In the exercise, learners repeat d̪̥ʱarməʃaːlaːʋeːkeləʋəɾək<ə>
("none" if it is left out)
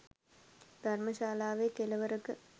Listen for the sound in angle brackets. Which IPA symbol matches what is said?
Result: ə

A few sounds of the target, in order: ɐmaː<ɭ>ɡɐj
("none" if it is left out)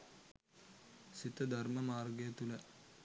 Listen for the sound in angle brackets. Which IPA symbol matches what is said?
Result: r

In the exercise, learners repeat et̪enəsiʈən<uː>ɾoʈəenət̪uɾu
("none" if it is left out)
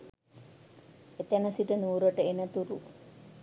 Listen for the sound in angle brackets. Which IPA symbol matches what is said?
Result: uː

